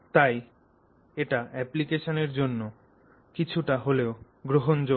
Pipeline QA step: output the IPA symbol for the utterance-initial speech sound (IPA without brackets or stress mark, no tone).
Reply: t̪